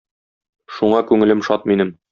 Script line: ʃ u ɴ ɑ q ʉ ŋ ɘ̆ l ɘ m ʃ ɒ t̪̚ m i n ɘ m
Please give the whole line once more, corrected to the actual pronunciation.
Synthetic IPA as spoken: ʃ u ɴ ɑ k ʉ ŋ ɘ̆ l ɘ m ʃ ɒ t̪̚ m i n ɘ m